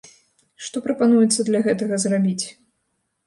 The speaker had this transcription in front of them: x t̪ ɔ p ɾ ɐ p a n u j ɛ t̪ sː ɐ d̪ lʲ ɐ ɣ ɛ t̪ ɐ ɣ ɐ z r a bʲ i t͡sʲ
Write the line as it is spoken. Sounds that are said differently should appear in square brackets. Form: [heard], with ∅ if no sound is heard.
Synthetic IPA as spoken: [ʂ] t̪ ɔ p ɾ ɐ p a n u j ɛ t̪ sː ɐ d̪ lʲ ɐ ɣ ɛ t̪ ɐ ɣ ɐ z r a bʲ i t͡sʲ

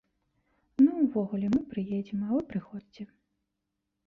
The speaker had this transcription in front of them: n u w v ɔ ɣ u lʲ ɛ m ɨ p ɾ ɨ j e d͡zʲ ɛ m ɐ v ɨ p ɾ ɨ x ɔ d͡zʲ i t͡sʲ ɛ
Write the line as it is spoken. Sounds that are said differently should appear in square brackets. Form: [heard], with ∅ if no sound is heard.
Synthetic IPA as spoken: n u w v ɔ ɣ u lʲ ɛ m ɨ p ɾ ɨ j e d͡zʲ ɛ m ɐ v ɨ p ɾ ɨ x ɔ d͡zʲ i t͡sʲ ɛ

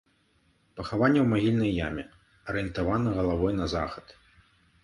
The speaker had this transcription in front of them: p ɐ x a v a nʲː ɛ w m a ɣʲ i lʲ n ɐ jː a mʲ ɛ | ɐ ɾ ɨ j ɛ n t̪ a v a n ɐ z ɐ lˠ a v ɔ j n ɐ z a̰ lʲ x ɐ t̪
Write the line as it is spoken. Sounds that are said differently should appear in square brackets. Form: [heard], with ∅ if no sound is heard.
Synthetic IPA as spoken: p ɐ x a v a nʲː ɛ w m a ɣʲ i lʲ n ɐ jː a mʲ ɛ | ɐ ɾ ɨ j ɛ n t̪ a v a n ɐ [ɣ] ɐ lˠ a v ɔ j n ɐ z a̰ [∅] x ɐ t̪

